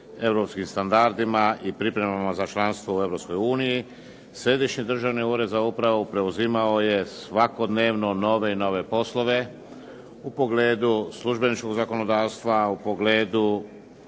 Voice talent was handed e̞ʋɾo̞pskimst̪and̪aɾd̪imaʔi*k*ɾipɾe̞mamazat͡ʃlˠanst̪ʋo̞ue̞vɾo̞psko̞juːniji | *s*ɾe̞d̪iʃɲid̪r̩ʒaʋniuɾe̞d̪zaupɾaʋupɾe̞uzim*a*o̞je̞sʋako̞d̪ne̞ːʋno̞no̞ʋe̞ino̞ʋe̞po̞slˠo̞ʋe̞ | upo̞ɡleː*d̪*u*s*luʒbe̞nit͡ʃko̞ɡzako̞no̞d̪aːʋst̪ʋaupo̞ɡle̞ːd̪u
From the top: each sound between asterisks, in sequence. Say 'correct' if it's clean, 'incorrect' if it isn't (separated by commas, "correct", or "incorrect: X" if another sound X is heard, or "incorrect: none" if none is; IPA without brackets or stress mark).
incorrect: p, correct, correct, correct, correct